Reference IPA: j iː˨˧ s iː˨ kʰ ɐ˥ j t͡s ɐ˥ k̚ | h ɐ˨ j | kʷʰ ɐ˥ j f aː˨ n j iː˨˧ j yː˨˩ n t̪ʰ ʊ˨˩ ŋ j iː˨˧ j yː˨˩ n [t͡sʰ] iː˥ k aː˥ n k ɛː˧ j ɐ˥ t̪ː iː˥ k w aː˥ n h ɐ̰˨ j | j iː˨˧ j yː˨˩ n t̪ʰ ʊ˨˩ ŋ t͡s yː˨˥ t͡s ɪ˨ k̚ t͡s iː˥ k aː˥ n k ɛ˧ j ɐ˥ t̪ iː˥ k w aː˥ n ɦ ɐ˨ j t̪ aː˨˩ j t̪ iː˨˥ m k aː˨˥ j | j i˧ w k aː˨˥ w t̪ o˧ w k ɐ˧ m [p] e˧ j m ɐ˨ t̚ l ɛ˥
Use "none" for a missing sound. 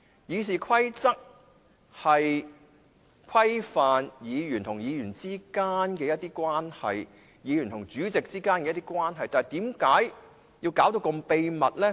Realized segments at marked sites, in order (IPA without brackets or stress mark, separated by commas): t͡s, p